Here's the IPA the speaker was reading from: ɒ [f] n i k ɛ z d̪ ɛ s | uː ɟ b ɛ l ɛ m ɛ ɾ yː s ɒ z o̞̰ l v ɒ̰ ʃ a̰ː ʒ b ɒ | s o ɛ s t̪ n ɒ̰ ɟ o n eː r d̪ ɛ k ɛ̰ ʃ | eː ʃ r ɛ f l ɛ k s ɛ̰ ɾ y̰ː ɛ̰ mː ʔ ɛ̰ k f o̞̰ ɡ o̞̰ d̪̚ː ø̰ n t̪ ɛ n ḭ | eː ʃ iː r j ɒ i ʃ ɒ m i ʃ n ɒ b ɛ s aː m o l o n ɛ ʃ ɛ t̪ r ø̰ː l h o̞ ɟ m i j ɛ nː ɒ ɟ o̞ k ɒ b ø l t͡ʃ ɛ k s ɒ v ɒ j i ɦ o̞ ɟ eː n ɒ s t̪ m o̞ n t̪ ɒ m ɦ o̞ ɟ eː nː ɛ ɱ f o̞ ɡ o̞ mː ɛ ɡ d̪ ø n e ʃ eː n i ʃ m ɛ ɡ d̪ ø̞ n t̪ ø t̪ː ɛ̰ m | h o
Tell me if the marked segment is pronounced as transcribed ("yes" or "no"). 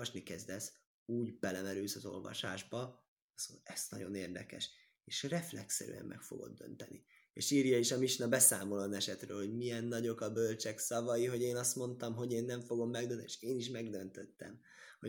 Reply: no